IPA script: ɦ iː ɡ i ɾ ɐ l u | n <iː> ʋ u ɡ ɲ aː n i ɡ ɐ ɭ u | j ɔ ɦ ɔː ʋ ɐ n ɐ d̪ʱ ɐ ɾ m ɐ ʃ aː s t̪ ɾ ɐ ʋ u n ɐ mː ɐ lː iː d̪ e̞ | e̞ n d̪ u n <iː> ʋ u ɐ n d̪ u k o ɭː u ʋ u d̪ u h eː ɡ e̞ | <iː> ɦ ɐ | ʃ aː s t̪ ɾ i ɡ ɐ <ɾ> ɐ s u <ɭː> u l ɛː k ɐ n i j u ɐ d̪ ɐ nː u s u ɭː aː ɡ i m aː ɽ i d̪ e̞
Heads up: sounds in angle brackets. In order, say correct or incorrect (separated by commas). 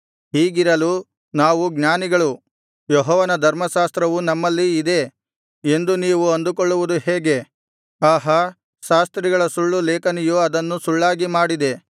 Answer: incorrect, correct, incorrect, incorrect, correct